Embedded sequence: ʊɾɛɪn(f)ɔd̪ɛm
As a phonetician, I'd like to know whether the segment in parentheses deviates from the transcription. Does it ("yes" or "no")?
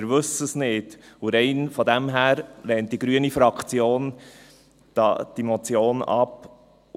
no